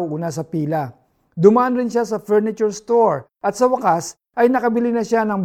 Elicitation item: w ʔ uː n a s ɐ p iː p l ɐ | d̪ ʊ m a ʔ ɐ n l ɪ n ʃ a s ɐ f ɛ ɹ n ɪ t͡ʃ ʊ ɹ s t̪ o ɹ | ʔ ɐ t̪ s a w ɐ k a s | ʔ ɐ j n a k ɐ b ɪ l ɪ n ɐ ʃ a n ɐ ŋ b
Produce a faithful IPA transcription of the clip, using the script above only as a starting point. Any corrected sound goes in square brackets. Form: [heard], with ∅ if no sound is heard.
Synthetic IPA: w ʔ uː n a s ɐ p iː [∅] l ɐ | d̪ ʊ m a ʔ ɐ n [ɾ] ɪ n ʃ a s ɐ f ɛ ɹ n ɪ t͡ʃ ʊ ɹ s t̪ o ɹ | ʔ ɐ t̪ s [ɐ] w ɐ k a s | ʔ ɐ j n [ɐ] k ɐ b ɪ l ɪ n ɐ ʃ a n ɐ ŋ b